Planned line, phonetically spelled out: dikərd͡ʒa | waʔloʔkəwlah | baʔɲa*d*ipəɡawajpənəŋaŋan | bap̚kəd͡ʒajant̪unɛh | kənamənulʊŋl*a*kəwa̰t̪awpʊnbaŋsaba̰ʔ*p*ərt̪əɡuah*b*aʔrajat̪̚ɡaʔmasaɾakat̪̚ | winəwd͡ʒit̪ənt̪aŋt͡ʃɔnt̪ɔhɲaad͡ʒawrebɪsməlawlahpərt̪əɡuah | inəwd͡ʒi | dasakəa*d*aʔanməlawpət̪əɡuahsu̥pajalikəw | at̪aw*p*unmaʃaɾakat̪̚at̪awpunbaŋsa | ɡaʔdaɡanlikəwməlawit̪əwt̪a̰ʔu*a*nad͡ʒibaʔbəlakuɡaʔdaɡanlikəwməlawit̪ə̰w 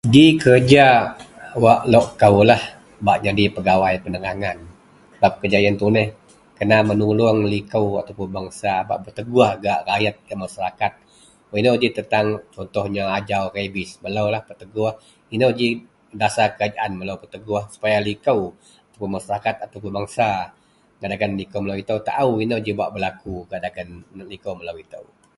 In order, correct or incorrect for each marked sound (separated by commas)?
correct, incorrect, incorrect, incorrect, incorrect, correct, incorrect